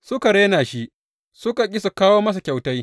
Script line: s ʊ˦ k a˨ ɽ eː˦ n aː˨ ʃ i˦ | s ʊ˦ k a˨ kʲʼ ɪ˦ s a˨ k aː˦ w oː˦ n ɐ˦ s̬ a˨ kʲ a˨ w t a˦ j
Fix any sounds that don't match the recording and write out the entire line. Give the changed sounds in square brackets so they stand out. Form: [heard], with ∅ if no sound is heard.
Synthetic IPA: s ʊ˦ k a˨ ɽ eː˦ n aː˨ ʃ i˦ | s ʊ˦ k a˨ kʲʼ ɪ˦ s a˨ k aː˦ w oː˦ [m] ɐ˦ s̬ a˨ kʲ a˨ w t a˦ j

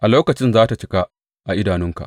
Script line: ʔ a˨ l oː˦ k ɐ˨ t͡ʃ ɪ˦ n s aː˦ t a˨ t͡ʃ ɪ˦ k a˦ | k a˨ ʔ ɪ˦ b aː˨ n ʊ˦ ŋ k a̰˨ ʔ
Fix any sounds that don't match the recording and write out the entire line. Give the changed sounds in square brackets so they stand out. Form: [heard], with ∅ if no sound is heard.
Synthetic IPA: ʔ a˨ l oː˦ k ɐ˨ t͡ʃ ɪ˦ n [z] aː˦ t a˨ t͡ʃ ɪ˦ k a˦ | [ʔ] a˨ ʔ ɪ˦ [d] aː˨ n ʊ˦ ŋ k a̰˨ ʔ

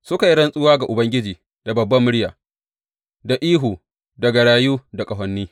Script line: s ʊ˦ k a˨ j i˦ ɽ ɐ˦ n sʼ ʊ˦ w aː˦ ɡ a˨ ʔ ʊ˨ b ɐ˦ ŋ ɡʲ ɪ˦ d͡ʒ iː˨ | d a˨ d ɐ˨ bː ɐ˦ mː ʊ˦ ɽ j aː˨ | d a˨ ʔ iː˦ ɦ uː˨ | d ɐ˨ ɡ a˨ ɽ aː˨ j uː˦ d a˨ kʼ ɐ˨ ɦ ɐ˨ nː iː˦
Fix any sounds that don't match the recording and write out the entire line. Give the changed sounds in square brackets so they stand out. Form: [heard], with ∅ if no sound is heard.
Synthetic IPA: s ʊ˦ k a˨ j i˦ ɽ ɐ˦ n sʼ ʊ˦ w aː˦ ɡ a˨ ʔ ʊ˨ b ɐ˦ ŋ ɡʲ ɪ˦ d͡ʒ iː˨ | d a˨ [b] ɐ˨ bː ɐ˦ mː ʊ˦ ɽ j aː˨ | d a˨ ʔ iː˦ ɦ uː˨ | d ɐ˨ ɡ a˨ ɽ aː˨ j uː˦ d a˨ kʼ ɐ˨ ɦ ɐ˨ nː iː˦

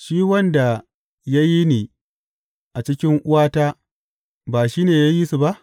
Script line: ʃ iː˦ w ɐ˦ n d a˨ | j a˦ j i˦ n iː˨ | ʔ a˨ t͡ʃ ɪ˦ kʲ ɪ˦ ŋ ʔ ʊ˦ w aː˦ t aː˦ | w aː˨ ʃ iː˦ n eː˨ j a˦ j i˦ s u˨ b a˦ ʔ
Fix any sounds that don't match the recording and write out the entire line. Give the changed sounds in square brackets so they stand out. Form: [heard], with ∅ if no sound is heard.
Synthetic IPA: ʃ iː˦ w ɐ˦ n d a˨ | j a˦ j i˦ n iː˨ | ʔ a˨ t͡ʃ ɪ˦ kʲ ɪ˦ ŋ ʔ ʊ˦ w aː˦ t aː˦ | [b] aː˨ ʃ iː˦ n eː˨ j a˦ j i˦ s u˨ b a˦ ʔ

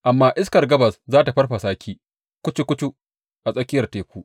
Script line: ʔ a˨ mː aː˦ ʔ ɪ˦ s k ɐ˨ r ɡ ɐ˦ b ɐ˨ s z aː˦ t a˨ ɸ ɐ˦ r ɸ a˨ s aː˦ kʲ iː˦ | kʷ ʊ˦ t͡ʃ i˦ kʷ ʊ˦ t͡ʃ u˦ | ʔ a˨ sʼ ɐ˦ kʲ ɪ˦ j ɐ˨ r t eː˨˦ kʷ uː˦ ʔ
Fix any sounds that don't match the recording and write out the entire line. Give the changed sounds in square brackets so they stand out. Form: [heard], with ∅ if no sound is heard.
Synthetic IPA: ʔ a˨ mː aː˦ ʔ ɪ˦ s k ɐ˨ r ɡ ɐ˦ b ɐ˨ s z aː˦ t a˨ ɸ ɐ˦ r ɸ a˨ s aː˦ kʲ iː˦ | kʷ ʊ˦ t͡ʃ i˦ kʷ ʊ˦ t͡ʃ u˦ | ʔ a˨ sʼ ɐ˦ kʲ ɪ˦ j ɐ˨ r t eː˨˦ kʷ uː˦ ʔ

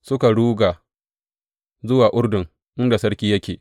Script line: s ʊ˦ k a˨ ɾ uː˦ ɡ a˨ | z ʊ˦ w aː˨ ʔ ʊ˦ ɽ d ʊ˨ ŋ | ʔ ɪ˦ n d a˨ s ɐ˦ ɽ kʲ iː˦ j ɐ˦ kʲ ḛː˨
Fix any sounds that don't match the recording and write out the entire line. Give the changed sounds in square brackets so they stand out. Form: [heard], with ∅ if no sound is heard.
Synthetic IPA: s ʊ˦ k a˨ [ɽ] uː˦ ɡ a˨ | z ʊ˦ w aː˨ ʔ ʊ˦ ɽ d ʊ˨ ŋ | ʔ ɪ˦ n d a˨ s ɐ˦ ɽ kʲ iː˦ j ɐ˦ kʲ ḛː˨

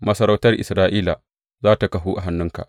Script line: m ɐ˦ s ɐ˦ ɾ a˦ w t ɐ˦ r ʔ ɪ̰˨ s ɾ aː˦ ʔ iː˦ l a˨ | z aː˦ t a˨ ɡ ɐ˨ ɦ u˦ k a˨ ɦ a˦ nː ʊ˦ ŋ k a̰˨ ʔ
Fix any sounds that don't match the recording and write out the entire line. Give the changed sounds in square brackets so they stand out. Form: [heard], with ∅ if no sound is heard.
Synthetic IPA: m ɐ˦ s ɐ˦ ɾ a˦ w t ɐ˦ r ʔ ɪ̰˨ s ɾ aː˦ ʔ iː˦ l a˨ | z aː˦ t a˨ [k] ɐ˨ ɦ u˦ [ʔ] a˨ ɦ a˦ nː ʊ˦ ŋ k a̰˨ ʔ

